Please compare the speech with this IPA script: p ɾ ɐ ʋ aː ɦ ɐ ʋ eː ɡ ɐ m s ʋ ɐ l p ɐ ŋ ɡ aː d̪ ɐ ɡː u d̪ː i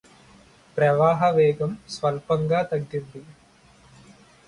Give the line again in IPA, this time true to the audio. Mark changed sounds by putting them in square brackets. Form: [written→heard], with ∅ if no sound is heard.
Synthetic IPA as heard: p ɾ ɐ ʋ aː ɦ ɐ ʋ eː ɡ ɐ m s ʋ ɐ l p ɐ ŋ ɡ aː [d̪→t̪] ɐ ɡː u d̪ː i